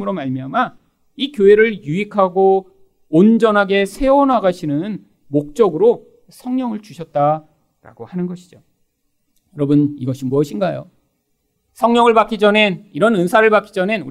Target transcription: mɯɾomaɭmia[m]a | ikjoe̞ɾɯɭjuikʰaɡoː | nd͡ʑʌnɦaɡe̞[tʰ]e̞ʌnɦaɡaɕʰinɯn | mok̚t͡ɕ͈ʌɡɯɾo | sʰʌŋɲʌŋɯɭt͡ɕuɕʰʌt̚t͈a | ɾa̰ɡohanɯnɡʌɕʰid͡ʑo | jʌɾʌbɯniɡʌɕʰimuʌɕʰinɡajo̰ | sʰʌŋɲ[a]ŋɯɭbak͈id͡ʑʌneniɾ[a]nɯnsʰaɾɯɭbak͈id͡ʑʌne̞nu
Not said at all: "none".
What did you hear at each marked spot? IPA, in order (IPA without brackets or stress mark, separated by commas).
m, sʰ, ʌ, ʌ